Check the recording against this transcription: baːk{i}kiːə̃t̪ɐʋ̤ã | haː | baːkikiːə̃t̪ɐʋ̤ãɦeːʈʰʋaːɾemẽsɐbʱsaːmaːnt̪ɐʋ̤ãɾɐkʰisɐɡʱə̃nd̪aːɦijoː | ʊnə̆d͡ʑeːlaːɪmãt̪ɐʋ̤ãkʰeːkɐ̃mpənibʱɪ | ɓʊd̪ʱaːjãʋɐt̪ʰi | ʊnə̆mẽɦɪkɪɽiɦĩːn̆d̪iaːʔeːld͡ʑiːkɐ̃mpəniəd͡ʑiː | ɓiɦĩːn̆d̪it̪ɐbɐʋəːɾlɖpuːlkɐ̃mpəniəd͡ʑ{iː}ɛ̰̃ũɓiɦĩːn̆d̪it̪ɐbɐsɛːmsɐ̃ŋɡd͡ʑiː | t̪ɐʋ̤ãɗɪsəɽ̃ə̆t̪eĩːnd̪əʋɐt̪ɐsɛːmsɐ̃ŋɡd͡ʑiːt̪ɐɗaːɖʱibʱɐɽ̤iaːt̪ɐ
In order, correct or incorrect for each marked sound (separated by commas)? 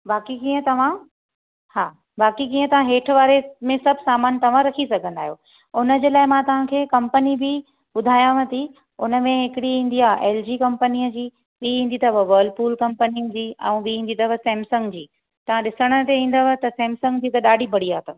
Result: correct, correct